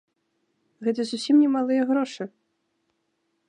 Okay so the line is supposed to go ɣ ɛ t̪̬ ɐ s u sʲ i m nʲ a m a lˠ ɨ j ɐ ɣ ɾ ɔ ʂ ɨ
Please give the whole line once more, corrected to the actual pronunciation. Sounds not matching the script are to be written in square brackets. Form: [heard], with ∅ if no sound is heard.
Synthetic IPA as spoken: ɣ ɛ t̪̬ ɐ [z] u sʲ i m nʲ [ɛ] m a lˠ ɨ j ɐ ɣ ɾ ɔ ʂ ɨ